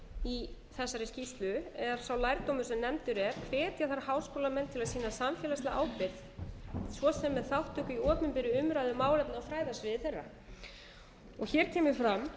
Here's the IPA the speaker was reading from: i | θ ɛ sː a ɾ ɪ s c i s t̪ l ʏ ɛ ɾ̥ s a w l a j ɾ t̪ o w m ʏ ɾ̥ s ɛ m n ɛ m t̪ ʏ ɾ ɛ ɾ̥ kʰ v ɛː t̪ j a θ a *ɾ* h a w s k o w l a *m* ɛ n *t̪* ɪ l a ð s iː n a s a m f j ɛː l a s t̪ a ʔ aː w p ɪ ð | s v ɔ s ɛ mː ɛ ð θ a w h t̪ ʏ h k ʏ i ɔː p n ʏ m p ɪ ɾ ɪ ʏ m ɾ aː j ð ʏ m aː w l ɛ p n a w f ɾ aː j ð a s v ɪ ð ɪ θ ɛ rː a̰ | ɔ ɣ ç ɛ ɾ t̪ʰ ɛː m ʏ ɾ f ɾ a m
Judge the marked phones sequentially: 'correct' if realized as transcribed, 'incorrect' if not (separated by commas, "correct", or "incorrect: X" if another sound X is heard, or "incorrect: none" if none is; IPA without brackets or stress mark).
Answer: correct, correct, incorrect: t̪ʰ